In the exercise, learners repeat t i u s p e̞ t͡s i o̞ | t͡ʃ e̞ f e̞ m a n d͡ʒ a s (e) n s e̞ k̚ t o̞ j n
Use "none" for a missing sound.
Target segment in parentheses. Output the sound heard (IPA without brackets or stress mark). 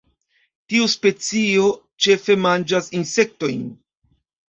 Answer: i